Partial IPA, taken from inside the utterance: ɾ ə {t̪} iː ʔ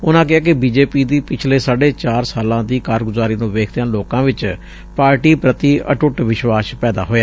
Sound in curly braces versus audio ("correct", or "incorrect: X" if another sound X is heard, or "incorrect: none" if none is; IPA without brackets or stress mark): correct